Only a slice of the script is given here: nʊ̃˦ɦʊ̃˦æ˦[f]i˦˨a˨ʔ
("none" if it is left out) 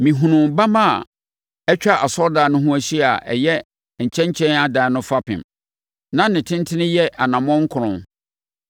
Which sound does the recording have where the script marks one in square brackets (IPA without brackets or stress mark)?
ɕ